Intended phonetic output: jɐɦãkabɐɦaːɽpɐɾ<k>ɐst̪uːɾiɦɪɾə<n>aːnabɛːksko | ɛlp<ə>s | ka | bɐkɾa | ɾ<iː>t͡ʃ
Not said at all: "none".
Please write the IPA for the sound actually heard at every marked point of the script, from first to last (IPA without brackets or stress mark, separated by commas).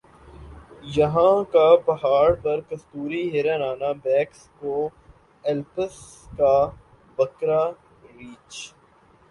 k, n, ə, iː